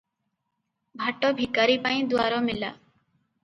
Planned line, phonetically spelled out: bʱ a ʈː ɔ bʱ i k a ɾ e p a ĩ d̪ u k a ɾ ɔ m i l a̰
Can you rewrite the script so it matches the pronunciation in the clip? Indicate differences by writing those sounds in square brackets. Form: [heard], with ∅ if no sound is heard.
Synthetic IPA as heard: bʱ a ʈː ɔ bʱ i k a ɾ [i] p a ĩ d̪ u [∅] a ɾ ɔ m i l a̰